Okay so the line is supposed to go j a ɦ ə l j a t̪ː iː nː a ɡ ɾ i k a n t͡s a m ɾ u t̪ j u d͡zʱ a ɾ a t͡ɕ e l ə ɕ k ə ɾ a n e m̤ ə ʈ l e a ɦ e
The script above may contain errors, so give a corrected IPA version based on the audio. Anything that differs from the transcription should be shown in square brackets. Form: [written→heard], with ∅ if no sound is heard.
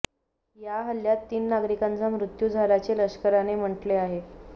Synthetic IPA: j a ɦ ə l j a t̪ː iː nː a ɡ ɾ i k a n t͡s a m ɾ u t̪ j u d͡zʱ a ɾ a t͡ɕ e l ə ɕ k ə ɾ a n e m̤ ə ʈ l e a ɦ e